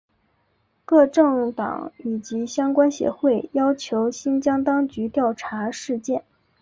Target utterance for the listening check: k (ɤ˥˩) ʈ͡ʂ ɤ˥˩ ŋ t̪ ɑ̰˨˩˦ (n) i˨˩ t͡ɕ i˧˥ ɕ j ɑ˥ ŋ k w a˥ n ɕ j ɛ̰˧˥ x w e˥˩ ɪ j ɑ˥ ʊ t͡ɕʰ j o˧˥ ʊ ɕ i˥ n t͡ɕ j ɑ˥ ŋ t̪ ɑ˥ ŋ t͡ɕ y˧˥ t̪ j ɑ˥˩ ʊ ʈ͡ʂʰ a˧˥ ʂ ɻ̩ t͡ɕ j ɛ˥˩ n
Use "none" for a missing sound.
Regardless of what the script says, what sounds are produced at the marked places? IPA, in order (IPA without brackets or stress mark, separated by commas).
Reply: ɤ˥˧, ŋ